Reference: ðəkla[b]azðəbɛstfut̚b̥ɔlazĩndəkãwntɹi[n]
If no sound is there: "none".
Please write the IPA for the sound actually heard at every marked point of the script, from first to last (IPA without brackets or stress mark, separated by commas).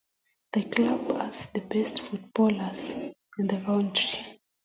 b, none